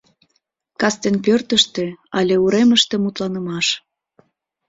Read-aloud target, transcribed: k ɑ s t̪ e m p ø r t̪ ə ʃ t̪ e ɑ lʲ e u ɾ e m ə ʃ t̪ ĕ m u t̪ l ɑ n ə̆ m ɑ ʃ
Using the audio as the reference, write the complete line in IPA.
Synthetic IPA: k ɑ s t̪ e n p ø r t̪ ə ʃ t̪ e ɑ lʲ e u ɾ e m ə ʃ t̪ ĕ m u t̪ l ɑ n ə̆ m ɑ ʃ